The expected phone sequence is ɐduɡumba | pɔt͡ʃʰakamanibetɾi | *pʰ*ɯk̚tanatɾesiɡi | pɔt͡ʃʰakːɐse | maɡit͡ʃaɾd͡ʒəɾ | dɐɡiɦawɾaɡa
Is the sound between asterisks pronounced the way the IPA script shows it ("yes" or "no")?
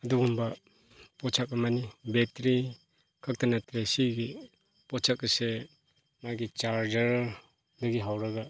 no